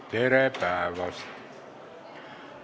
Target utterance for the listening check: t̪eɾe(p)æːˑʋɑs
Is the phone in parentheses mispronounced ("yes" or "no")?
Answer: no